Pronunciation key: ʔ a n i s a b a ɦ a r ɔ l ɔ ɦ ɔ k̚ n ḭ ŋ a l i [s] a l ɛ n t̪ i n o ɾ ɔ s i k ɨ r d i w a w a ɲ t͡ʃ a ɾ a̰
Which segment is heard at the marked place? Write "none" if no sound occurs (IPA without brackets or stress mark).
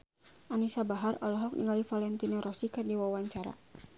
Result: f